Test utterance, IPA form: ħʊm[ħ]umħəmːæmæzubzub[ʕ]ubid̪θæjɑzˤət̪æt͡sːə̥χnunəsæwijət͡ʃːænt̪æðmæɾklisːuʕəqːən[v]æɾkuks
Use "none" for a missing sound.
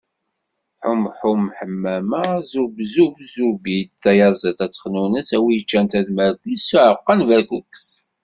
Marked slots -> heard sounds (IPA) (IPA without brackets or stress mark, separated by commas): ħ, z, v